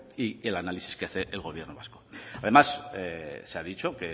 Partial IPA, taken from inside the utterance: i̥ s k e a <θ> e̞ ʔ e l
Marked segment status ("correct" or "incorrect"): correct